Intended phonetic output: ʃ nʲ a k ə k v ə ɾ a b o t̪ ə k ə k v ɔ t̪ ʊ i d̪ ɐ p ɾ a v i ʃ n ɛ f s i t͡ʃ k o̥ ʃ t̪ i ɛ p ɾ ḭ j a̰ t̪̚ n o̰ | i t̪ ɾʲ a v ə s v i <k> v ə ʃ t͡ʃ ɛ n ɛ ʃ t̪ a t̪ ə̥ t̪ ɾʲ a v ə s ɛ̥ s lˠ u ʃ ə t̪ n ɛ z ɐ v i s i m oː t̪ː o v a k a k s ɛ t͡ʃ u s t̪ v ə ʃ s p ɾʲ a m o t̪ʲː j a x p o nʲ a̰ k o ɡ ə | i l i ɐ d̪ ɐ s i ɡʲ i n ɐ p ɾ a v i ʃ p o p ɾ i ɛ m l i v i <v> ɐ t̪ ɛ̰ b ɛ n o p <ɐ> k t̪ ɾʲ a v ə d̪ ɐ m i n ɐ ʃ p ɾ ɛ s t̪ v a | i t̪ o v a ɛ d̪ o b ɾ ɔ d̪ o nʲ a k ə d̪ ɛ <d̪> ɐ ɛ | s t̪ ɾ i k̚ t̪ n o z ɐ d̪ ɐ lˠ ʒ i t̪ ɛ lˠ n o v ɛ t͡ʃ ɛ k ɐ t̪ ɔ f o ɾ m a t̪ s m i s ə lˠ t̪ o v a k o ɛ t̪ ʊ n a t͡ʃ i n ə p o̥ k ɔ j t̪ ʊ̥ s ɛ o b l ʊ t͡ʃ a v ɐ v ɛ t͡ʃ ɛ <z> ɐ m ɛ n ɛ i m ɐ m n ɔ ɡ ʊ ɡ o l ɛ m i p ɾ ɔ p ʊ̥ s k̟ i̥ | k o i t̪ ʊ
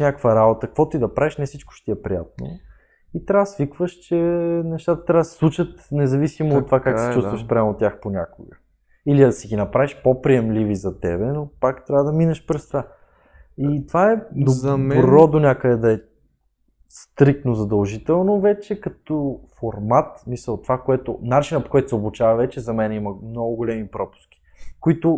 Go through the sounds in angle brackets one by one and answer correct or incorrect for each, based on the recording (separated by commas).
correct, incorrect, incorrect, correct, correct